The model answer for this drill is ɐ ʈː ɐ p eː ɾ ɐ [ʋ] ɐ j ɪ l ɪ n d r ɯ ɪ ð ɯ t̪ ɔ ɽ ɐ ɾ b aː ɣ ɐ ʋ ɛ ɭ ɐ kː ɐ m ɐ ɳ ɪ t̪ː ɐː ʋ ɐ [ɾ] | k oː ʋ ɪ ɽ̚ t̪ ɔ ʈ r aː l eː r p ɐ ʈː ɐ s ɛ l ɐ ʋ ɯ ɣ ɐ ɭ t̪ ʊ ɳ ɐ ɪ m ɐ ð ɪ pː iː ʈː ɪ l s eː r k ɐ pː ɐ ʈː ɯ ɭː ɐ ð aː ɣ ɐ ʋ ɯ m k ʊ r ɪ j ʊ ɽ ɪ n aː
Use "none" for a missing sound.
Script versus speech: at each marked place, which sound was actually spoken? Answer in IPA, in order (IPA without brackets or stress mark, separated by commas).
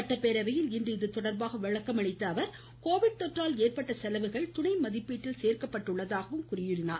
ʋ, ɾ